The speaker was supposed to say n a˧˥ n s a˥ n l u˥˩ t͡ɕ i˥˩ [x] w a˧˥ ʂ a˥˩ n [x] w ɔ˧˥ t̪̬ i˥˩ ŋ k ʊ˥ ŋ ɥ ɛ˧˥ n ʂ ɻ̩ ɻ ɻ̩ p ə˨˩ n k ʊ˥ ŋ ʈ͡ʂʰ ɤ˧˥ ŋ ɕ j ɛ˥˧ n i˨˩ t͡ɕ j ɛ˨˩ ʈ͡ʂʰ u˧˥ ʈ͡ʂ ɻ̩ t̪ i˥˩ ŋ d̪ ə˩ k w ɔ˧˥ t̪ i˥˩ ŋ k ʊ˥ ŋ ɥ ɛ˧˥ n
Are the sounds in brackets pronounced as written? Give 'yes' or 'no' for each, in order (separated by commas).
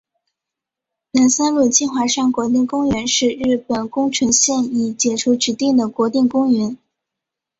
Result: yes, no